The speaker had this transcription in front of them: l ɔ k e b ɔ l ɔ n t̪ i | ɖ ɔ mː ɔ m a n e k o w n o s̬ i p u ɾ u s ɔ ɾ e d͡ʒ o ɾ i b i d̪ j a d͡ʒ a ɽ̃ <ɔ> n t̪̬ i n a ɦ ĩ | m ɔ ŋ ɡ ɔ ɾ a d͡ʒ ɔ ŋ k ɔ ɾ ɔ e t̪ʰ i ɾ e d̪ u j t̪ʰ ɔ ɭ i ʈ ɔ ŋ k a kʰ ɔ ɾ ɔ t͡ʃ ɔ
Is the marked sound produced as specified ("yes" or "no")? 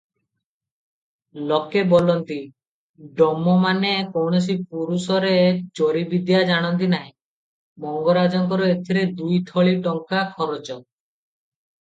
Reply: yes